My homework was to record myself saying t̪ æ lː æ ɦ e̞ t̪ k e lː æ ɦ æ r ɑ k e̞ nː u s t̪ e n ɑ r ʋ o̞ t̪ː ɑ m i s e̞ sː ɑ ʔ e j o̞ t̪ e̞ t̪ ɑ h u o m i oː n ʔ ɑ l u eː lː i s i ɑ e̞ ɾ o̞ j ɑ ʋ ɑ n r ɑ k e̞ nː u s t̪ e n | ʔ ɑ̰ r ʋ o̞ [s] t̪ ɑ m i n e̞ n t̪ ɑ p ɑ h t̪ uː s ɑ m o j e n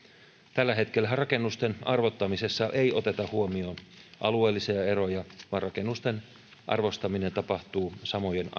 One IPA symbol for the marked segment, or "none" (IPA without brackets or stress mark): s